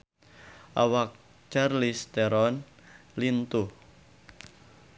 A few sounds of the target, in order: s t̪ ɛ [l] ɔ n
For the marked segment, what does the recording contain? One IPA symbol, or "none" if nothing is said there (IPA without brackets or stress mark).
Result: ɾ